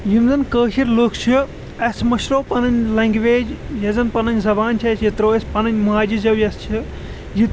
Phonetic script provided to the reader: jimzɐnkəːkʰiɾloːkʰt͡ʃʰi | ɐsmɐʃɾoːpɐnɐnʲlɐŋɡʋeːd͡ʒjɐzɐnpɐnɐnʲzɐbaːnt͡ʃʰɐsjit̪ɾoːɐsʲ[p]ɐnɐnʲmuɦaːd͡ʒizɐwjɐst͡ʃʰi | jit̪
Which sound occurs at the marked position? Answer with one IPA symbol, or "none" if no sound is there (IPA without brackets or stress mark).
p